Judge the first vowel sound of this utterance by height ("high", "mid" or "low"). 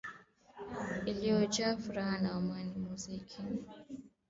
high